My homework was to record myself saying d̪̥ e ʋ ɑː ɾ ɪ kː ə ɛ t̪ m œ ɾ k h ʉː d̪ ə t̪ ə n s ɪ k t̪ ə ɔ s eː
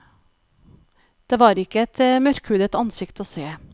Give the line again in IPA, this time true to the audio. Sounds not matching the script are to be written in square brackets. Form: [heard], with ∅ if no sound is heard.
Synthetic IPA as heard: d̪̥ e ʋ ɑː ɾ ɪ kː ə ɛ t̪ m œ ɾ k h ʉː d̪ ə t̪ [ɑ] n s ɪ k t̪ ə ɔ s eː